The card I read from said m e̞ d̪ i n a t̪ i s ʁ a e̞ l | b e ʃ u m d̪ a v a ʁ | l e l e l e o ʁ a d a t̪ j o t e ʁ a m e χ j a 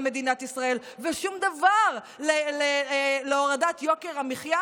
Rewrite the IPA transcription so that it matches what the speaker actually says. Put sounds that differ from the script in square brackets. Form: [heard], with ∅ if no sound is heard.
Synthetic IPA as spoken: m e̞ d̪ i n a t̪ i s ʁ a e̞ l | [v] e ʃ u m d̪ a v a ʁ | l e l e l e o ʁ a d a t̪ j o [k] e ʁ a m [i] χ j a